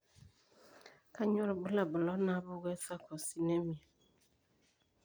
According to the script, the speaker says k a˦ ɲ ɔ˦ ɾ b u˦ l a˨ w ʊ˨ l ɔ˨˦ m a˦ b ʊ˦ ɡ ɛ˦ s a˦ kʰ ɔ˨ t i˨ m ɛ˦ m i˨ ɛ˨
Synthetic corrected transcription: k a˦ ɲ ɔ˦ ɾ b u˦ l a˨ b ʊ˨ l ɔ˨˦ n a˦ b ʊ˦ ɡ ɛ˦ s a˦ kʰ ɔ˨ s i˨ n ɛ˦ m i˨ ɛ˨